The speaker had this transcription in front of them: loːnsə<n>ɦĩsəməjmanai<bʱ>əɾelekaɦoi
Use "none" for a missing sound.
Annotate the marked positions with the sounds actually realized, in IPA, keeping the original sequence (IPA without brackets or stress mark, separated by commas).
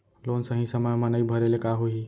none, bʱ